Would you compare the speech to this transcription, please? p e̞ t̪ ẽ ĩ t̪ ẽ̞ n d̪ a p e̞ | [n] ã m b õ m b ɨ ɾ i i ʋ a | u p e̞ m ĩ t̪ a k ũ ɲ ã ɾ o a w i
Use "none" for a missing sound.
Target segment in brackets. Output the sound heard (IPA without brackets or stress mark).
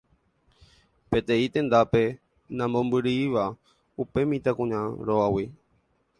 n